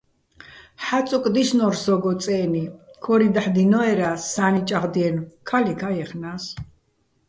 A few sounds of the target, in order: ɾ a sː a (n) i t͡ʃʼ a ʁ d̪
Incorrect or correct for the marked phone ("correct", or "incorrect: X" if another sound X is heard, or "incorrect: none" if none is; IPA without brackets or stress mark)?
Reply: correct